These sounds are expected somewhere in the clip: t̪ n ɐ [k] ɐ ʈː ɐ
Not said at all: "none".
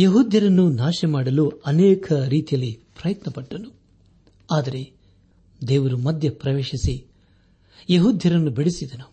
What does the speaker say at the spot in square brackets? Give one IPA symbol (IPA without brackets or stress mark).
p